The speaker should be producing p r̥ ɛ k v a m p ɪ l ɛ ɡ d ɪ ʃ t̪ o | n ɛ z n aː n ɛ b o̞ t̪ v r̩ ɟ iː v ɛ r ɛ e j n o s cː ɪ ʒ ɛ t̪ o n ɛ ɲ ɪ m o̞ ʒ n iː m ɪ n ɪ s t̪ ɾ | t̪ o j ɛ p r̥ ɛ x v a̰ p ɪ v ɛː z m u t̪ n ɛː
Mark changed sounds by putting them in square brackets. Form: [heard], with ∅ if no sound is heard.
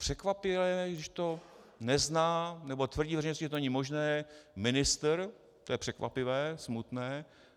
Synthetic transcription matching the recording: p r̥ ɛ k v a [∅] p ɪ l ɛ ɡ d ɪ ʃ t̪ o | n ɛ z n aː n ɛ b o̞ t̪ v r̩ ɟ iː v ɛ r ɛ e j n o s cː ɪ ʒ ɛ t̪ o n ɛ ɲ ɪ m o̞ ʒ n [ɛː] m ɪ n ɪ s t̪ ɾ | t̪ o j ɛ p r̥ ɛ [k] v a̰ p ɪ v ɛː [s] m u t̪ n ɛː